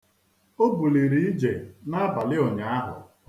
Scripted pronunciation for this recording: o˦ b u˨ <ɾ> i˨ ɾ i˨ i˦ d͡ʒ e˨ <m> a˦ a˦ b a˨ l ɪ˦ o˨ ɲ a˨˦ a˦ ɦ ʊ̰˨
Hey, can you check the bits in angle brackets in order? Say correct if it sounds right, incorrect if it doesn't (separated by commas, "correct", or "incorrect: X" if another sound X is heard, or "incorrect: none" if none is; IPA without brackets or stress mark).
incorrect: l, incorrect: n